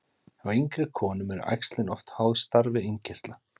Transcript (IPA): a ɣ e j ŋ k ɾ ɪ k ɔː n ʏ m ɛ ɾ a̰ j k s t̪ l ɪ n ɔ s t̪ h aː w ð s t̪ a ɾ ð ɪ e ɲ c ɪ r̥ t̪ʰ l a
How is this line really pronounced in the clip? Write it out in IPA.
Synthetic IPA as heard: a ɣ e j ŋ k ɾ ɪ kʰ ɔː n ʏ m ɛ ɾ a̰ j k s t̪ l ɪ n ɔ f t̪ h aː w ð s t̪ a ɾ v ɪ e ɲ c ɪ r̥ t̪ l a